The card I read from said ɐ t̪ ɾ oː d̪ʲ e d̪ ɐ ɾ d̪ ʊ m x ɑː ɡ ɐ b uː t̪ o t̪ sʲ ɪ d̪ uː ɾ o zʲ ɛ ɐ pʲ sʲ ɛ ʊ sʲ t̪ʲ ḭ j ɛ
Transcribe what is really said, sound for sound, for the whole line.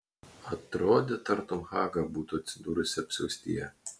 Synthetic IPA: ɐ t̪ ɾ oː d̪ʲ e t̪ ɐ ɾ t̪ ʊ m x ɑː ɡ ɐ b uː t̪ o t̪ sʲ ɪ d̪ uː ɾ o sʲ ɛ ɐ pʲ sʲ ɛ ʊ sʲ t̪ʲ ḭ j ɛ